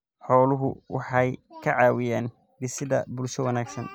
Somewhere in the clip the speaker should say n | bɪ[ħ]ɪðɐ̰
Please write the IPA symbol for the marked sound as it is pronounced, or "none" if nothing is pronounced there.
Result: s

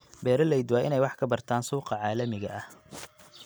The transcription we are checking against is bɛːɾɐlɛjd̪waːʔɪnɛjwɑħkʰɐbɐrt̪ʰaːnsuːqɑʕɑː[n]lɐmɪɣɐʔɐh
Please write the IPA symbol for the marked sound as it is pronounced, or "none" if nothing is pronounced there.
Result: none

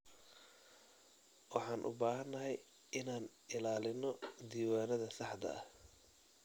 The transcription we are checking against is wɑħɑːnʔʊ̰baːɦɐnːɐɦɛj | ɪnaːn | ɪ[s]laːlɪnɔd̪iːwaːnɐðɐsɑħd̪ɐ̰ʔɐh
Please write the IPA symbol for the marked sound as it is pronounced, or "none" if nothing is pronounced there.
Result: none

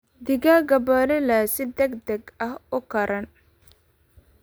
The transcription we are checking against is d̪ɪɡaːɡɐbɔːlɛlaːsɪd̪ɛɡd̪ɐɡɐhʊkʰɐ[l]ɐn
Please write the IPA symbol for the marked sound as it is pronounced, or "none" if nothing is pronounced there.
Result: ɾ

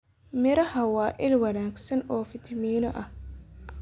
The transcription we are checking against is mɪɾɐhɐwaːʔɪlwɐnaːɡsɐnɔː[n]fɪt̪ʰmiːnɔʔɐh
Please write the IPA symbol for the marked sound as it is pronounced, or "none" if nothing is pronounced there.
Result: none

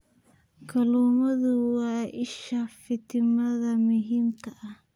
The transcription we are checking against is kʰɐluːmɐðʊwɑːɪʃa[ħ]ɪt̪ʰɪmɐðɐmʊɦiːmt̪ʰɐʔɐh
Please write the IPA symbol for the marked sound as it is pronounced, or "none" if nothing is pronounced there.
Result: f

